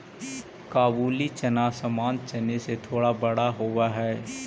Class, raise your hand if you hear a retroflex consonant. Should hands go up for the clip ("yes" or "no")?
yes